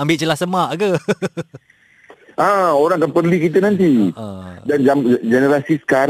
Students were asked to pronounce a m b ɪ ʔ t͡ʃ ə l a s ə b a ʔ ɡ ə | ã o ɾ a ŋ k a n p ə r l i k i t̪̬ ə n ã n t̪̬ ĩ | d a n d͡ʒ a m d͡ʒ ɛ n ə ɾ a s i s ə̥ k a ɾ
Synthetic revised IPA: a m b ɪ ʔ t͡ʃ ə l a s ə m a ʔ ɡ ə | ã o ɾ a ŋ k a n p ə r l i k i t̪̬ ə n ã n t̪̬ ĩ | d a n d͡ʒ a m d͡ʒ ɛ n ə ɾ a s i s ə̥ k a ɾ